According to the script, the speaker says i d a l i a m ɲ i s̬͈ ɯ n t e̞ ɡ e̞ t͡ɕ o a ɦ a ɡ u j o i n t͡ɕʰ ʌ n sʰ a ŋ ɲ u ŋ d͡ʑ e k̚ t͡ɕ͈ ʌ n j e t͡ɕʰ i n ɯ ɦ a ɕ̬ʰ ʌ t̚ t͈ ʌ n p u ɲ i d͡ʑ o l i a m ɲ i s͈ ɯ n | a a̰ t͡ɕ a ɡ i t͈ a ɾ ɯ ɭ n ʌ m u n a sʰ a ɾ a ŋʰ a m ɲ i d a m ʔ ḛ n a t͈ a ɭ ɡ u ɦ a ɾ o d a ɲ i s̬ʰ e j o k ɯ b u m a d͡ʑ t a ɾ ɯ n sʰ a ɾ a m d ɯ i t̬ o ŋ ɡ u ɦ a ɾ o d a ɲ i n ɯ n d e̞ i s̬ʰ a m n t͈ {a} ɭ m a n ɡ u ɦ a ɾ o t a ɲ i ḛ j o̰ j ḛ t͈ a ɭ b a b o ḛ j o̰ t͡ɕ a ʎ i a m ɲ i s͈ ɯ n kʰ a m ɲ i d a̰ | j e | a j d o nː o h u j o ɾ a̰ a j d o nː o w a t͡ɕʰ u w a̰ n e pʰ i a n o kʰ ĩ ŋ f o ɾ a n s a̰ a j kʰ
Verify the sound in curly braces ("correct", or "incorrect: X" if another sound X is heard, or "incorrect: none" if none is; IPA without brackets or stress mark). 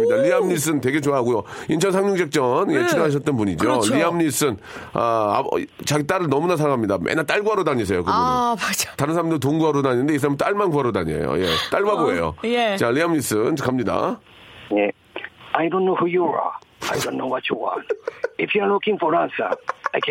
correct